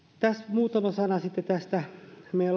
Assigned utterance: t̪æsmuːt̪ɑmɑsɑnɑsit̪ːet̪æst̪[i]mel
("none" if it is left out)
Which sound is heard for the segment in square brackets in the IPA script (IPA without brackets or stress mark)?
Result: æ